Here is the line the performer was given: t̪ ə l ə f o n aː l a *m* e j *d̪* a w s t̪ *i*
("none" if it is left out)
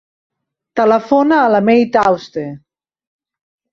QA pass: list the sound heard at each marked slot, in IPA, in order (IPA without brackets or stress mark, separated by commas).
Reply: m, t̪, e